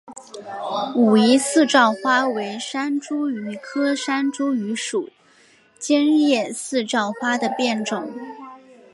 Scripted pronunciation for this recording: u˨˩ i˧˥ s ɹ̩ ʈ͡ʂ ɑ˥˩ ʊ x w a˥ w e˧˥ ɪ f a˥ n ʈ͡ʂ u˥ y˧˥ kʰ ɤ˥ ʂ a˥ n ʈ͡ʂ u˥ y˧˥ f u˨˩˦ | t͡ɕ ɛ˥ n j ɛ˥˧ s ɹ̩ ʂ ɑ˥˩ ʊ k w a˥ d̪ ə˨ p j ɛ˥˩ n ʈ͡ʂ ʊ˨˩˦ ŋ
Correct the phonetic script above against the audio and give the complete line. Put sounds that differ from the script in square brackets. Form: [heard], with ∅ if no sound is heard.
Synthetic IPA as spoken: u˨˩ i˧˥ s ɹ̩ ʈ͡ʂ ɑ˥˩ ʊ x w a˥ w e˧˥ ɪ [ʂ] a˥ n ʈ͡ʂ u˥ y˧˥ kʰ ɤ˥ ʂ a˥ n ʈ͡ʂ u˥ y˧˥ [ʂ] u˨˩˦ | t͡ɕ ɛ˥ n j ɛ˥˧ s ɹ̩ [ʈ͡ʂ] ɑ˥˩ ʊ [x] w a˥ d̪ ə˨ p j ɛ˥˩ n ʈ͡ʂ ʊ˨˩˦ ŋ